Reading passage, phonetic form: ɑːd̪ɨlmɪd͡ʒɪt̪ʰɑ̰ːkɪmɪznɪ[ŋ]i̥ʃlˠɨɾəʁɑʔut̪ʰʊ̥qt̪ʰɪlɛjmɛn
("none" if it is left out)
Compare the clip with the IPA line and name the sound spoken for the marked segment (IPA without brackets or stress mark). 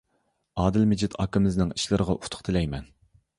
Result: ŋ